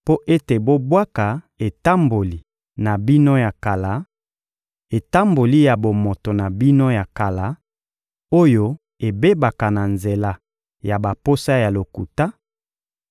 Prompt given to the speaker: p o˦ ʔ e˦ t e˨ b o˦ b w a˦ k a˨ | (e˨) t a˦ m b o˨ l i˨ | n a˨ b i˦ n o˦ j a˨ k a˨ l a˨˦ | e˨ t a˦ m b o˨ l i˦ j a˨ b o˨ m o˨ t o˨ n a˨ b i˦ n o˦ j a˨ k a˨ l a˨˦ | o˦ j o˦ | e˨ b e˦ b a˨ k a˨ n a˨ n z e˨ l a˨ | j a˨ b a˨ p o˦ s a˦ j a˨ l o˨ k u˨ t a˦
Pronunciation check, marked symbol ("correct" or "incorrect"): correct